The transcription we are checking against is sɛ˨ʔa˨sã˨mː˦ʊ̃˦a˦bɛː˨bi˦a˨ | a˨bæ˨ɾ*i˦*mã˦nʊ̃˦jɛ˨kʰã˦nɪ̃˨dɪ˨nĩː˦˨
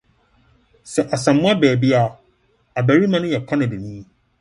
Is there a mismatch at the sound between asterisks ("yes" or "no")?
no